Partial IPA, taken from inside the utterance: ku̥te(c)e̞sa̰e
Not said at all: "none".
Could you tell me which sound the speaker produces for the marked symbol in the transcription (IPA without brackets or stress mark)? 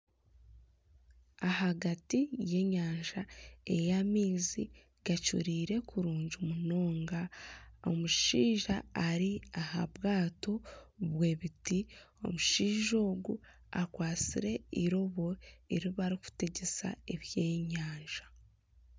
ɟ